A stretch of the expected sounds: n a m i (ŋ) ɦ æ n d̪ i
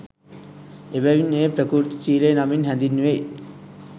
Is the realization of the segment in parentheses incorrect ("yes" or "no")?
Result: yes